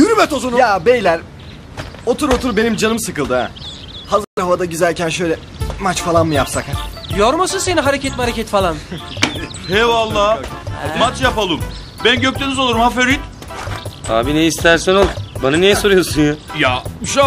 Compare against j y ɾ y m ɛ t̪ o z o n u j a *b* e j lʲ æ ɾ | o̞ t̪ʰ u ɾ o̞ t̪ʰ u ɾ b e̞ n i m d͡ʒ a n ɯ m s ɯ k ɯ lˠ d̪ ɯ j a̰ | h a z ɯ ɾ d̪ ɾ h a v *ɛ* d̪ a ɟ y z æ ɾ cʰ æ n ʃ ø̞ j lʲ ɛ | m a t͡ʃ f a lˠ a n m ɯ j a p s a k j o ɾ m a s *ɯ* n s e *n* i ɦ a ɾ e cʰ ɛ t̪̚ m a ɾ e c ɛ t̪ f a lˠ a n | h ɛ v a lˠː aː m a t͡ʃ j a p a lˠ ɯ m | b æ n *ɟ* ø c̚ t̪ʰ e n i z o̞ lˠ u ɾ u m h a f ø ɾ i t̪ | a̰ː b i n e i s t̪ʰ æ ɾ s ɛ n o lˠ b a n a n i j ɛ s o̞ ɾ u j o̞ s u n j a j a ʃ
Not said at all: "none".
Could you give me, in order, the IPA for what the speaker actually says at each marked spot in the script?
b, a, ɯ, n, ɟ

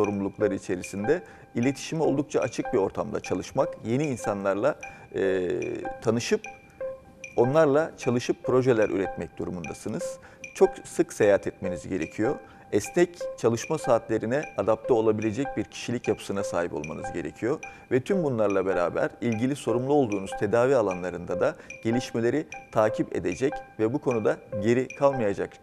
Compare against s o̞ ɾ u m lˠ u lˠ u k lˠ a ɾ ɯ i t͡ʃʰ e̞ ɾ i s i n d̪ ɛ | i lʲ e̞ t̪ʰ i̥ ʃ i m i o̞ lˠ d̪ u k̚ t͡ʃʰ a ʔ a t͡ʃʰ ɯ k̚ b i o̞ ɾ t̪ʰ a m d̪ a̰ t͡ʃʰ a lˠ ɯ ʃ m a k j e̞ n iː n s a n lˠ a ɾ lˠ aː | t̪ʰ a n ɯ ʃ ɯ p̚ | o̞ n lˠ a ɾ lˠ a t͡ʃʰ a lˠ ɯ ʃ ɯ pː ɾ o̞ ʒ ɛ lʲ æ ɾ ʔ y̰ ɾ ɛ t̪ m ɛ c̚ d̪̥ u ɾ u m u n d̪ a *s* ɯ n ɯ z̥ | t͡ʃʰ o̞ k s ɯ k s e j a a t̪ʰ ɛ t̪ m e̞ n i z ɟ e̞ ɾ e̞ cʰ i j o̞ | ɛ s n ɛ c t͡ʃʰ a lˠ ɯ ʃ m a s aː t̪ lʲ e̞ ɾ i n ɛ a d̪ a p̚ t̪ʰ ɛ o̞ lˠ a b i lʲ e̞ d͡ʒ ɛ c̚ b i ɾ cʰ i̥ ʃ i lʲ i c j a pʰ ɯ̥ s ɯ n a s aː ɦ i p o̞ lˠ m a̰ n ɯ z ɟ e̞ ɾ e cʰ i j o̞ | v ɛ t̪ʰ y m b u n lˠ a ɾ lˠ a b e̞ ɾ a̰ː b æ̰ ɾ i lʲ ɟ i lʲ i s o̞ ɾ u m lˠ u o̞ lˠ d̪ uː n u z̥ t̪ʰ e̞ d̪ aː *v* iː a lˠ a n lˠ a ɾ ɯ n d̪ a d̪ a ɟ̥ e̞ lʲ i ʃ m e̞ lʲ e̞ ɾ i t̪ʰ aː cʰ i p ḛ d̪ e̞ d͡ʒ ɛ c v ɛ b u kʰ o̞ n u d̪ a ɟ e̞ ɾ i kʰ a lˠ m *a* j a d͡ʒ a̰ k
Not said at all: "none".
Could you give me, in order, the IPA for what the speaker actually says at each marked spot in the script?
s, v, a

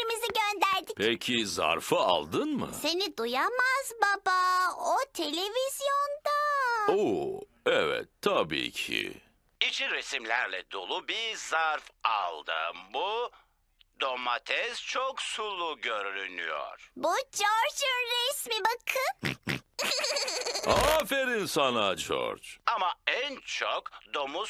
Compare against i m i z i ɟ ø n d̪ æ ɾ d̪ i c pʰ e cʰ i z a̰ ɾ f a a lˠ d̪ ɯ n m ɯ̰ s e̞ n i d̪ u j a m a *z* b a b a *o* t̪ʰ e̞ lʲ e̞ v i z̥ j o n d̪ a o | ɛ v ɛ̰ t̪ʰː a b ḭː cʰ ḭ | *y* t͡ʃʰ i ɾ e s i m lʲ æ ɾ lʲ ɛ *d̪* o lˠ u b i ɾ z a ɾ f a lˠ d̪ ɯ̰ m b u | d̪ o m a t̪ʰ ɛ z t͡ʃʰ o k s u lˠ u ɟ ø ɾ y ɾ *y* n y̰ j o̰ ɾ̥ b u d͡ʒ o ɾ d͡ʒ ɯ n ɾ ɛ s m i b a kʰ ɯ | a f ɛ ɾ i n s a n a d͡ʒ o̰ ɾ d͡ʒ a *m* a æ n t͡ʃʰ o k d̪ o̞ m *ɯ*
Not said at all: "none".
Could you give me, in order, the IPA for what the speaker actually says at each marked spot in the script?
z, o, i, d̪, y, m, u

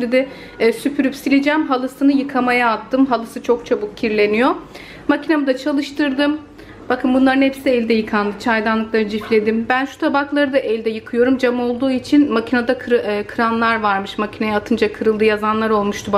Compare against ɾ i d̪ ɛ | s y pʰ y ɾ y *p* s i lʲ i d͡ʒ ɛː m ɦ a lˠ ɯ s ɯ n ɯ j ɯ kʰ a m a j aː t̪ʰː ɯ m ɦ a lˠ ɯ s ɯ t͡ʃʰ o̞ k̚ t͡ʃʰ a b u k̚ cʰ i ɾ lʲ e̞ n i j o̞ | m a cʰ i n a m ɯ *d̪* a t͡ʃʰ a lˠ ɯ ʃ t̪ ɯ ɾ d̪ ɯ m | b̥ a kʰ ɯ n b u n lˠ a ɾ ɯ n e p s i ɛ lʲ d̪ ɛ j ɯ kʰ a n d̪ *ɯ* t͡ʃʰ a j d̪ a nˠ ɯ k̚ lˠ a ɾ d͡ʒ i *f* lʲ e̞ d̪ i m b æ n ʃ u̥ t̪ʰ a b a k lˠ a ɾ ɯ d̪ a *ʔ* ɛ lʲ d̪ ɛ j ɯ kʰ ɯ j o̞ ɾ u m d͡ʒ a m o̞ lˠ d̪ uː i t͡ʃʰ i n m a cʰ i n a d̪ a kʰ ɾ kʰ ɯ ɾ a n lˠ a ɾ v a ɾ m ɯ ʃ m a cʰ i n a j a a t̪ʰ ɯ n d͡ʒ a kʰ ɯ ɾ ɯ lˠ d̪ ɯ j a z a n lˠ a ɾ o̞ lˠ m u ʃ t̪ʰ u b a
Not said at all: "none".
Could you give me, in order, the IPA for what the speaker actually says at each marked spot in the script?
p, d̪, ɯ, f, ʔ

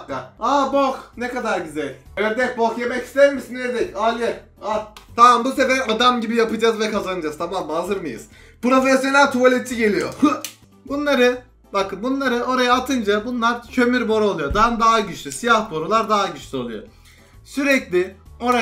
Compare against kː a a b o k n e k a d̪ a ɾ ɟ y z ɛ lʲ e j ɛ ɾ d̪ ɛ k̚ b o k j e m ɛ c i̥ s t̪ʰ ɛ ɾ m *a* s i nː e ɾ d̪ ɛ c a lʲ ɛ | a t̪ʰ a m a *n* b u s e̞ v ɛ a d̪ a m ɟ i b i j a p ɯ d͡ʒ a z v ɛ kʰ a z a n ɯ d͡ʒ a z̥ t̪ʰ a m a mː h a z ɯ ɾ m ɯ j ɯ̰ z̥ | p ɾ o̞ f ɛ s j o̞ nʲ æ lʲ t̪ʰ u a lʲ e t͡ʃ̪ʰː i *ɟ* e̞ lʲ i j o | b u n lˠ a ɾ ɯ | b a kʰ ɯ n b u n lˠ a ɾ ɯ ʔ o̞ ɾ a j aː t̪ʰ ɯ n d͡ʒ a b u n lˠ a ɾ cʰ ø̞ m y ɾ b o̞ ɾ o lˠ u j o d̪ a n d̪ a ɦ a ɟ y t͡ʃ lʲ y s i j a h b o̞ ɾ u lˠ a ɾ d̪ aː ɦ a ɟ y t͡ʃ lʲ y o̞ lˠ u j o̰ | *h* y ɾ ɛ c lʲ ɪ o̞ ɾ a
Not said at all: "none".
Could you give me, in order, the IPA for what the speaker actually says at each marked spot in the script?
i, m, ɟ, s

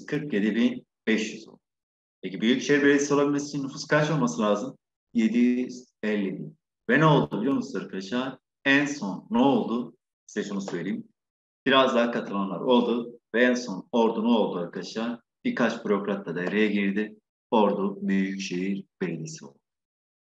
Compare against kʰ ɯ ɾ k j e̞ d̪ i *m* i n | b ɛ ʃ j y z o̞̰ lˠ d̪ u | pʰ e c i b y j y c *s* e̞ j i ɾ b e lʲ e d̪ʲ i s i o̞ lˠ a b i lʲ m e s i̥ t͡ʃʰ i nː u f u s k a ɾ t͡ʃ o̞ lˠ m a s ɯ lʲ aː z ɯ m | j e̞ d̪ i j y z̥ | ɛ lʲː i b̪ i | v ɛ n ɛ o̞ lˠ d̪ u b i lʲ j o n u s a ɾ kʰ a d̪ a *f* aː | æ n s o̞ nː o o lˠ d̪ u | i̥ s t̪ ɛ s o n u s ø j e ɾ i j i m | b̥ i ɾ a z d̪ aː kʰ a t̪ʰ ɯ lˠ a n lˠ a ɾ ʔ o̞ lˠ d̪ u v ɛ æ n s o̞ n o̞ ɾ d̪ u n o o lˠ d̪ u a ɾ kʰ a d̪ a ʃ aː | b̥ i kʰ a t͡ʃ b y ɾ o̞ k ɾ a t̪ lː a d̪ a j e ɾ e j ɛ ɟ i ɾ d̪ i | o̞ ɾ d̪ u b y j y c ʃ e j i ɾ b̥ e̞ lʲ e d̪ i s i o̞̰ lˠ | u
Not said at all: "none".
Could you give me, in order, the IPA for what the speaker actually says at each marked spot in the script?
b, ʃ, ʃ

